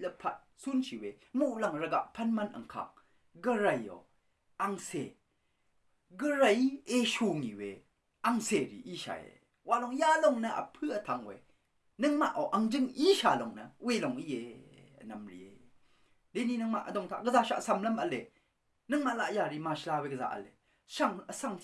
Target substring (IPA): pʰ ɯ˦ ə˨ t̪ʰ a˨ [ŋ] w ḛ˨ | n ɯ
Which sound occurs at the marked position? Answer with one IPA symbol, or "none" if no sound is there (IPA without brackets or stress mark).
ŋ